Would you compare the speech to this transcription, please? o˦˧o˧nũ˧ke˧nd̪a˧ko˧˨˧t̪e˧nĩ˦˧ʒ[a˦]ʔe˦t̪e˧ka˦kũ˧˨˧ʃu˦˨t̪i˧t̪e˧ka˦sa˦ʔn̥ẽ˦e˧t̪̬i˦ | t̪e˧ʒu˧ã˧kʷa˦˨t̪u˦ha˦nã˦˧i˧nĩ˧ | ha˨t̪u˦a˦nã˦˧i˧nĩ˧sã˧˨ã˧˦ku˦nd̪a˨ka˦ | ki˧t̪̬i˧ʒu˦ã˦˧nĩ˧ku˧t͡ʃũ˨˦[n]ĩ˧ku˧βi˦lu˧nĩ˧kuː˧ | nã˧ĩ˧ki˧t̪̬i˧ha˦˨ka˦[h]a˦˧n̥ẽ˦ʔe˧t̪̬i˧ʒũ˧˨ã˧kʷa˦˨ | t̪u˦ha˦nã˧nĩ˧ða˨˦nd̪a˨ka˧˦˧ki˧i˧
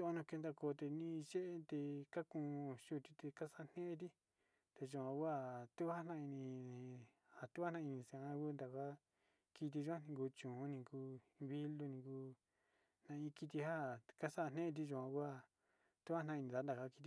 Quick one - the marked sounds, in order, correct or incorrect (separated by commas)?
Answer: incorrect, correct, incorrect